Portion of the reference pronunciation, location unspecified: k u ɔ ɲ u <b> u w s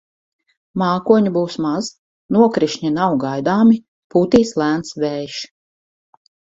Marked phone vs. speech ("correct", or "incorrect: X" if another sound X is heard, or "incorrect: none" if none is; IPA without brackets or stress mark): correct